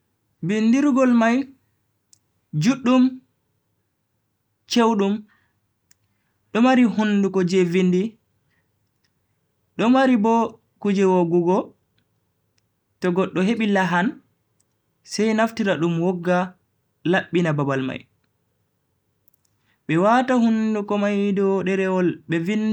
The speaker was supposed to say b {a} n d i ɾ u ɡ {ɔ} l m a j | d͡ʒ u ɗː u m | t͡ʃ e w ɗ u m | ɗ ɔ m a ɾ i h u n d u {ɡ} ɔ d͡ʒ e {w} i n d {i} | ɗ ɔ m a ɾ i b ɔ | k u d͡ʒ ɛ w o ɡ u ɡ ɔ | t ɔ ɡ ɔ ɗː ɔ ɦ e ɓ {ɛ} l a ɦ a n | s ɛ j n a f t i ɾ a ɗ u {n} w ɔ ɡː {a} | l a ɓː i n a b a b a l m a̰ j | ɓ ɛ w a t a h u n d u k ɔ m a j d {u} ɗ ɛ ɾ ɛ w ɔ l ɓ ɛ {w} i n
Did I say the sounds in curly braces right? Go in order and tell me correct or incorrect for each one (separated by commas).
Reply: incorrect, correct, incorrect, incorrect, correct, incorrect, incorrect, correct, incorrect, incorrect